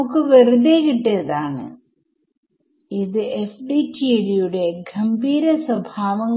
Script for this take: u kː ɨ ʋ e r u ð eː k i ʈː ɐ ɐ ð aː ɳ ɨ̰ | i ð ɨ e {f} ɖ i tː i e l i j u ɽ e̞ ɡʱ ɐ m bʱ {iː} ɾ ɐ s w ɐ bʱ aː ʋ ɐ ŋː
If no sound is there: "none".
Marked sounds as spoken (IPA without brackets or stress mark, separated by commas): f, iː